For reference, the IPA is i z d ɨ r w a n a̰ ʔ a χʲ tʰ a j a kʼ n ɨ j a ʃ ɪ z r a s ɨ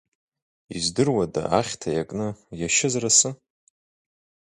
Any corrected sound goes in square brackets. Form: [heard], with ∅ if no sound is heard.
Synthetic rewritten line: i z d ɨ r w a [d] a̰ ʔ a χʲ tʰ a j a kʼ n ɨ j a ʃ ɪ z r a s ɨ